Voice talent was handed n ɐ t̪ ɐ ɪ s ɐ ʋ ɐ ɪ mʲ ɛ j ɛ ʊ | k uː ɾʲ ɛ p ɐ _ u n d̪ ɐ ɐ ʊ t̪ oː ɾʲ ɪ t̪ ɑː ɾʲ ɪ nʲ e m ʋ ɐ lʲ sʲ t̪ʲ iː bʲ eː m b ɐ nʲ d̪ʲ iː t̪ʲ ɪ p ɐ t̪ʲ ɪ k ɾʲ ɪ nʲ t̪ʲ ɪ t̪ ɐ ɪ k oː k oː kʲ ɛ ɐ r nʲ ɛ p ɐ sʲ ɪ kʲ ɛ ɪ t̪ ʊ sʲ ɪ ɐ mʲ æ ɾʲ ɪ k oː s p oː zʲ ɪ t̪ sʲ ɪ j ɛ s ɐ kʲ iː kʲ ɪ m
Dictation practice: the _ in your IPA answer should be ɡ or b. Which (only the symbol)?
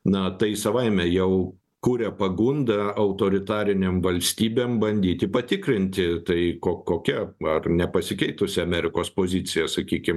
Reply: ɡ